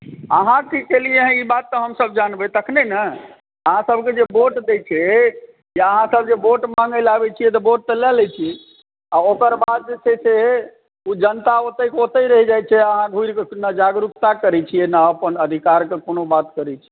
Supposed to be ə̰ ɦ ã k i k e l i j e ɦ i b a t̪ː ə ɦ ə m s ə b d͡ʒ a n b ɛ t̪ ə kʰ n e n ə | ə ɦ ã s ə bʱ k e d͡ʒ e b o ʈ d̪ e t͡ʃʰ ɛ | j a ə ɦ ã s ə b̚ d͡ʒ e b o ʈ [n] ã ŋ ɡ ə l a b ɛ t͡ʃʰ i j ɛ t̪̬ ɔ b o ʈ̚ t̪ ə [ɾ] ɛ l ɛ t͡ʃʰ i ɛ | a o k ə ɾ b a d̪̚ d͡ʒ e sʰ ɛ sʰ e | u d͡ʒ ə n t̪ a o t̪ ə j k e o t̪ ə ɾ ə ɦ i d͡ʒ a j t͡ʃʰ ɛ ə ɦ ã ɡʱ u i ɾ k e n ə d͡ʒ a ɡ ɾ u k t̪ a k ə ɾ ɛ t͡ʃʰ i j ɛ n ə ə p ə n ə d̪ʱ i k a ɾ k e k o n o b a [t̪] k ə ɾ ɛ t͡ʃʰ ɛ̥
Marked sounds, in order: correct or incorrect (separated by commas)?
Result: incorrect, incorrect, correct